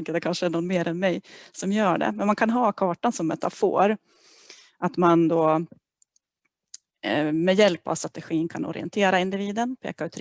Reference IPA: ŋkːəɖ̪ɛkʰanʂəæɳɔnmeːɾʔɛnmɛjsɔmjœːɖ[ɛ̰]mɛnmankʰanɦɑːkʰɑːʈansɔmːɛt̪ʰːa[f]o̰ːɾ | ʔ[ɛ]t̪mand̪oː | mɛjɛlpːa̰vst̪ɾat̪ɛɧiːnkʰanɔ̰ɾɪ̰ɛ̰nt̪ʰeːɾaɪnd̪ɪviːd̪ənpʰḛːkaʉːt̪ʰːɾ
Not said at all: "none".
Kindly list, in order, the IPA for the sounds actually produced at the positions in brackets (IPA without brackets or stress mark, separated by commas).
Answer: ɛ̰, f, a